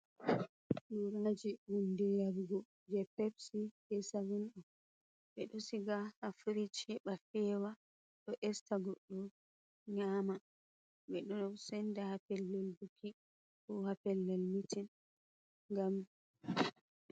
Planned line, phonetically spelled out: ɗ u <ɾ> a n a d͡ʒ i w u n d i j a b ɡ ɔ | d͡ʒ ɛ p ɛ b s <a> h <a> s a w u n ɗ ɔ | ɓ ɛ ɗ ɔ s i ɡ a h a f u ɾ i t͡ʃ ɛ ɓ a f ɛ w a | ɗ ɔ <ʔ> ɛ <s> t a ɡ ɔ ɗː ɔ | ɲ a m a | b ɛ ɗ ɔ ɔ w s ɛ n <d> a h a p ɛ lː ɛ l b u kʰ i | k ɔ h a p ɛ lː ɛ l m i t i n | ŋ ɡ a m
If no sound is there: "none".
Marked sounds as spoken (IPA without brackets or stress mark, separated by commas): ɾ, i, ɛ, ʔ, s, d